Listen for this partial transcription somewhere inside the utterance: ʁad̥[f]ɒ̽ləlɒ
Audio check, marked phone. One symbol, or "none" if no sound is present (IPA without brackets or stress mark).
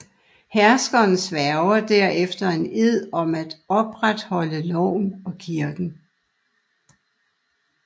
h